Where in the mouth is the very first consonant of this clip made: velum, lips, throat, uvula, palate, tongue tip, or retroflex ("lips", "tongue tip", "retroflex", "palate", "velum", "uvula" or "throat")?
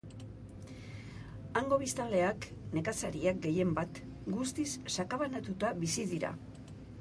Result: velum